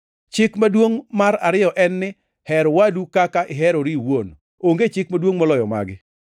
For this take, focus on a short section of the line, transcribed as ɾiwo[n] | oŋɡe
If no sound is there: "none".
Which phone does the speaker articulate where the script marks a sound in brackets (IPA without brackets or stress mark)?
n